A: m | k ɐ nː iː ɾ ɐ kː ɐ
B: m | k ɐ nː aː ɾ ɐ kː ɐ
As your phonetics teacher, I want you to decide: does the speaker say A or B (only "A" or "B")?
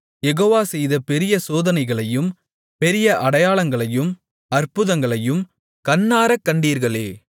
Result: B